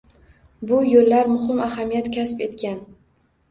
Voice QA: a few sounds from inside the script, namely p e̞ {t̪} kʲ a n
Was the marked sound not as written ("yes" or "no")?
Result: no